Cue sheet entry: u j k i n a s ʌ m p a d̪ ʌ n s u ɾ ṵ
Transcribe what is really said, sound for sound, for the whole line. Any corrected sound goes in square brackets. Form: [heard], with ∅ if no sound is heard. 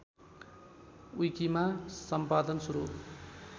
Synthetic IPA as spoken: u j k i [m] a s ʌ m p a d̪ ʌ n s u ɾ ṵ